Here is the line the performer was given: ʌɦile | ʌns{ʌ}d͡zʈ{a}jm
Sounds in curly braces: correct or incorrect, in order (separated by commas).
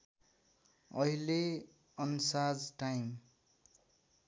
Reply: incorrect, correct